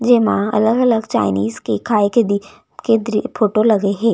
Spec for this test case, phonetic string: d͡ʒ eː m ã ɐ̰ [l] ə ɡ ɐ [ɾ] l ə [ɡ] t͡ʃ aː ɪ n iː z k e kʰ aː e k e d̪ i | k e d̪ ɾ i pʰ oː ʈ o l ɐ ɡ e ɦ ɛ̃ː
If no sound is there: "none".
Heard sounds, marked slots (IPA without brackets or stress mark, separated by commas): l, none, ɡ